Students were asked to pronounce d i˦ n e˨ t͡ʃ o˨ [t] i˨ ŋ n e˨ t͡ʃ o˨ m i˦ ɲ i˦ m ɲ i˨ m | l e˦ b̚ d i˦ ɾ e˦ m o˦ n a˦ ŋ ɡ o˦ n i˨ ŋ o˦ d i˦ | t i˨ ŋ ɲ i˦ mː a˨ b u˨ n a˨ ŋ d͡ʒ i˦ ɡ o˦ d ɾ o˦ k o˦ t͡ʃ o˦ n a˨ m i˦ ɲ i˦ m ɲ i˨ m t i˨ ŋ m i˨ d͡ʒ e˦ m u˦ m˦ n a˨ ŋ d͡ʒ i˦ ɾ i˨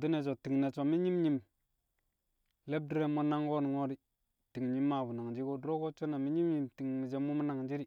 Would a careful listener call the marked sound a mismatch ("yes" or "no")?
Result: no